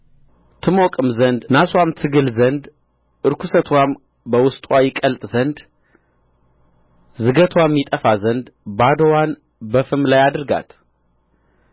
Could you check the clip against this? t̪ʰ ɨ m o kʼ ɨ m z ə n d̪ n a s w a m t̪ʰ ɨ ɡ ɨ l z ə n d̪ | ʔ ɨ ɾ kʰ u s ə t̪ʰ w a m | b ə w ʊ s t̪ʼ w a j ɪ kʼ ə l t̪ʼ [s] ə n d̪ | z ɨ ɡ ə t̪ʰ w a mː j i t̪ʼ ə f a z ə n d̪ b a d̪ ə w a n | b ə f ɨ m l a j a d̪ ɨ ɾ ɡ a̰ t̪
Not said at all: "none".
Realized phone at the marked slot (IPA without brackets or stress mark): z